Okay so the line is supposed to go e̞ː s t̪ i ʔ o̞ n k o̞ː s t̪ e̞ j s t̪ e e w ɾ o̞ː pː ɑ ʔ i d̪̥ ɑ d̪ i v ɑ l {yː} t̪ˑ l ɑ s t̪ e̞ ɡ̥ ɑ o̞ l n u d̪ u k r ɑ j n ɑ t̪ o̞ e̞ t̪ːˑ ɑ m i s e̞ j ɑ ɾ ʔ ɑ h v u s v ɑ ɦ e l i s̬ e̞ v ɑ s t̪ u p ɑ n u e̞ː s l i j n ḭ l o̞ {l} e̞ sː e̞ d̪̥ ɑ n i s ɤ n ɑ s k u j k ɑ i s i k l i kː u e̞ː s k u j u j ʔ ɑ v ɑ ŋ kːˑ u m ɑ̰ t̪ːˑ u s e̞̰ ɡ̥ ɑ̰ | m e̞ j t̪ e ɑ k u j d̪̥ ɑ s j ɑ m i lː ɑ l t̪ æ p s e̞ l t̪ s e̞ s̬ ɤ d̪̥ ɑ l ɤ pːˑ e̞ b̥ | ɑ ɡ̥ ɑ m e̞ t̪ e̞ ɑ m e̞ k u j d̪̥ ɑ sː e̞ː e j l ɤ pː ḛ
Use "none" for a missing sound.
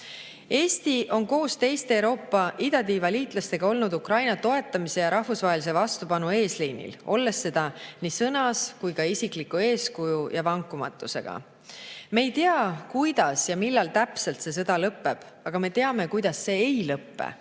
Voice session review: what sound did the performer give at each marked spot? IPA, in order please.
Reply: iː, lː

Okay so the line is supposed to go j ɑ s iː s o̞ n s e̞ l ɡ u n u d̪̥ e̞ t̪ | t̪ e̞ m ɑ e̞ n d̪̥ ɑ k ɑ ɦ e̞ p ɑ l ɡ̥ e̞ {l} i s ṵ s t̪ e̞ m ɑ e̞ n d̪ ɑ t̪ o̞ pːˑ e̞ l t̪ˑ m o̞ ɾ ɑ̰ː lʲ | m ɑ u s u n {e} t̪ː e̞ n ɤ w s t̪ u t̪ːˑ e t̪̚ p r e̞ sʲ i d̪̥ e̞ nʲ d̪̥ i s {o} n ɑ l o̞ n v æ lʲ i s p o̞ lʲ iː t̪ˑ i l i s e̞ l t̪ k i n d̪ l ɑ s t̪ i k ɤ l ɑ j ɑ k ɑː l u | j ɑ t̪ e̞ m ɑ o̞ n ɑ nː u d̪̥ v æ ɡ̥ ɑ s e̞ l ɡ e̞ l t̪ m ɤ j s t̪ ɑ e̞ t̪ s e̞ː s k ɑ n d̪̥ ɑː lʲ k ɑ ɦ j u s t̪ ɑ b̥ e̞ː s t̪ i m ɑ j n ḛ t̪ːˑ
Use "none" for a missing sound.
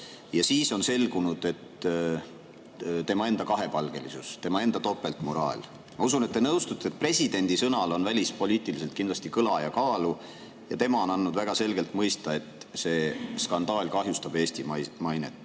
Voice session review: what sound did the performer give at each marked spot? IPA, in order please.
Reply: l, e, ɤ

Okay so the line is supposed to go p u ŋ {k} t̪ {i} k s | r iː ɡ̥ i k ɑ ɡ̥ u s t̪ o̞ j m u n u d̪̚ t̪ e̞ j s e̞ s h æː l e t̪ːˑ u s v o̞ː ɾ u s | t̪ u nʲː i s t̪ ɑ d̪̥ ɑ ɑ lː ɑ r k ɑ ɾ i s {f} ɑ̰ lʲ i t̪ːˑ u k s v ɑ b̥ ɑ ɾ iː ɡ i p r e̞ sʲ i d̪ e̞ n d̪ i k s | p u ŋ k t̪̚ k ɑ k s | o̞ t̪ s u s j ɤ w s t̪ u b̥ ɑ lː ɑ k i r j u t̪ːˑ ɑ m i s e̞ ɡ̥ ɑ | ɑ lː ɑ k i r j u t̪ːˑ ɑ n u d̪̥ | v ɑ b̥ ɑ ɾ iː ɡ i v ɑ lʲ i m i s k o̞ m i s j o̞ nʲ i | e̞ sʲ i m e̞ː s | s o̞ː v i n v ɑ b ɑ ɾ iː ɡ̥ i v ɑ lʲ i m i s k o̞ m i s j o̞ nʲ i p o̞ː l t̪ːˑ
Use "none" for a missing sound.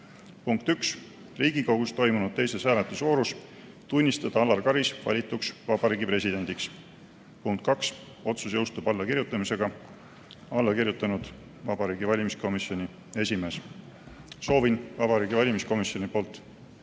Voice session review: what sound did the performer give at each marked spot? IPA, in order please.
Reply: k, y, v

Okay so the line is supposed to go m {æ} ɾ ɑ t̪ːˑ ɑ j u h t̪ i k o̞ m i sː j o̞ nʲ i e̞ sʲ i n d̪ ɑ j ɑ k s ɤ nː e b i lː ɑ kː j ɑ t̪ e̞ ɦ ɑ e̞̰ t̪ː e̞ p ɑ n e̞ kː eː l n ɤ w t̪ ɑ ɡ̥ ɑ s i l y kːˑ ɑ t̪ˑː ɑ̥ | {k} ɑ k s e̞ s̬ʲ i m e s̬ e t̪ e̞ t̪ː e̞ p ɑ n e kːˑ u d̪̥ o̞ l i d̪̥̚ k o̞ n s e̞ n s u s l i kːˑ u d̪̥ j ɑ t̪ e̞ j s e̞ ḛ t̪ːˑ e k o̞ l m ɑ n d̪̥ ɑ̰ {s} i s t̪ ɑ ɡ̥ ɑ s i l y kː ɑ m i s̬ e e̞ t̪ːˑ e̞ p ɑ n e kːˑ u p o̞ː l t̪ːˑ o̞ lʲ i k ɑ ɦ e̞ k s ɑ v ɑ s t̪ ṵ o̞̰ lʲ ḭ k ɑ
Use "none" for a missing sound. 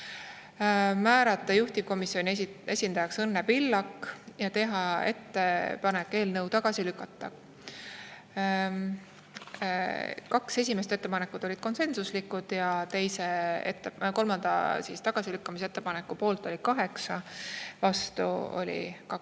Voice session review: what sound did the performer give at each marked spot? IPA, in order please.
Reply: æː, k, s

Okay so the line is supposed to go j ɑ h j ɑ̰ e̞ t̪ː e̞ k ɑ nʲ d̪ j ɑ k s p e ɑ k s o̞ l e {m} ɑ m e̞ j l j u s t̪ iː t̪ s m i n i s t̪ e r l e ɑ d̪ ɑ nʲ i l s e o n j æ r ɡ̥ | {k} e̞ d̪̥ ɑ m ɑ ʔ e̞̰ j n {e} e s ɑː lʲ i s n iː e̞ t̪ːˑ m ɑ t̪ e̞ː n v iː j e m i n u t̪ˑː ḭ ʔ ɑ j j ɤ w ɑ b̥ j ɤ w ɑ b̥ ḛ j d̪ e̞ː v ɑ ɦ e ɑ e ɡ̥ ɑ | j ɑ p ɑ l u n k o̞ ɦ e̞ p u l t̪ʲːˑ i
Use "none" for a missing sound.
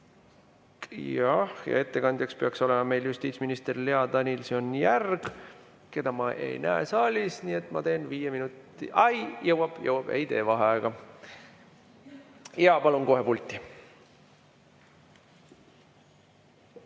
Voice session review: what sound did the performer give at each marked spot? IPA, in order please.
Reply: m, k, æ

